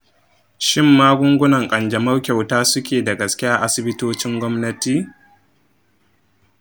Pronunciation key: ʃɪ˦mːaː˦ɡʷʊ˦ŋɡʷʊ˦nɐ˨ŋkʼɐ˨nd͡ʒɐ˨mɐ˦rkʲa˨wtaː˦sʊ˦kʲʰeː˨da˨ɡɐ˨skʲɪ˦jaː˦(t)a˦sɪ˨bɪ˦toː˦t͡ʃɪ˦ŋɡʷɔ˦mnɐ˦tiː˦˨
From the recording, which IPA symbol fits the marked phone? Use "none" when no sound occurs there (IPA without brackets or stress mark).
ʔ